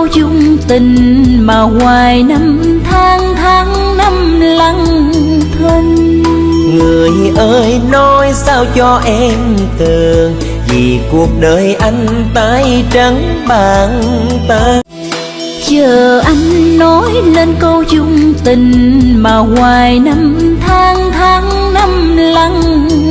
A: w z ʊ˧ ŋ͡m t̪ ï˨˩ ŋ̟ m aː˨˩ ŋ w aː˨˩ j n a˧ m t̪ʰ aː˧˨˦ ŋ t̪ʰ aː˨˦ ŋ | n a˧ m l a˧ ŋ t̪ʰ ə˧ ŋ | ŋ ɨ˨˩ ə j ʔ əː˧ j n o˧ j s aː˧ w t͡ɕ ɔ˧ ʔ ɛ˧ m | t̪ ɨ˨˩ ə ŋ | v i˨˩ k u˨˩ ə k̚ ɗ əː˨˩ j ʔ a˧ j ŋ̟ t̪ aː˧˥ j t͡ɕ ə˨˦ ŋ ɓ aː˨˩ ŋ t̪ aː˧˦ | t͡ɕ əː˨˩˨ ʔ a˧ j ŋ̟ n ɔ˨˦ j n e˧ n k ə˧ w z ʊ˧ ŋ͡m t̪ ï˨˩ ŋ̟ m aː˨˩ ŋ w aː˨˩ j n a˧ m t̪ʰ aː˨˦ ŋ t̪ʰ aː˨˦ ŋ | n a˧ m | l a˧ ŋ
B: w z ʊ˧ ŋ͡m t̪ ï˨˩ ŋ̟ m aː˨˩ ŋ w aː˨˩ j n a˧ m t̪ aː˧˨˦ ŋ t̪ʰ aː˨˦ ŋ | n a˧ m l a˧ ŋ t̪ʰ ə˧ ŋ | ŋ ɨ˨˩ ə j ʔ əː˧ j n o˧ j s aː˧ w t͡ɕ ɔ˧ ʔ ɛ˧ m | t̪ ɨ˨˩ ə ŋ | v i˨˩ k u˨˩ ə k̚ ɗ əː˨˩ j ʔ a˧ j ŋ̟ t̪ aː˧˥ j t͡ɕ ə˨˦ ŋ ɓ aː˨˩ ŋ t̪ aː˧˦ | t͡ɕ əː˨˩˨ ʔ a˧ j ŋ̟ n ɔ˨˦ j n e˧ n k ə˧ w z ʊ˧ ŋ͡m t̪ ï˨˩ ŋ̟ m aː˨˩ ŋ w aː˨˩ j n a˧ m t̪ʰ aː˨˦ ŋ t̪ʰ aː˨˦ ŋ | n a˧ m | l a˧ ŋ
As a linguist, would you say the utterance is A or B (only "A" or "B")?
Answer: A